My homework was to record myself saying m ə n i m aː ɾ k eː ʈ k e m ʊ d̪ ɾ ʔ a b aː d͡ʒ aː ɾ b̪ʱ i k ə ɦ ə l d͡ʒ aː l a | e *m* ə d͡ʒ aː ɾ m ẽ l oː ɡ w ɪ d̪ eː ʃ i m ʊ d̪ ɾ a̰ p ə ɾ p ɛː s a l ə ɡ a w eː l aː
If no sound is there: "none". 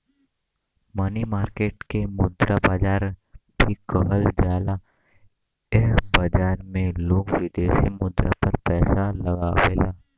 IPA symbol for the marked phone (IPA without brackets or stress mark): b